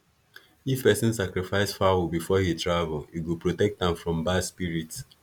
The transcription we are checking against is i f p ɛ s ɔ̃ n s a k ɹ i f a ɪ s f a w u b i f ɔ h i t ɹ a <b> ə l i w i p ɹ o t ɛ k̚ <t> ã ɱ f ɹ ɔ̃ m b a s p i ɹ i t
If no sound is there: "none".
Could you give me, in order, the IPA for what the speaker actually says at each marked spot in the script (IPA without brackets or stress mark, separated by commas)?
v, t